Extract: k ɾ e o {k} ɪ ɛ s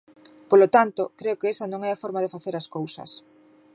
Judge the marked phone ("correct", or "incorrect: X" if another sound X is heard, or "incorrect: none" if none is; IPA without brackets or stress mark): correct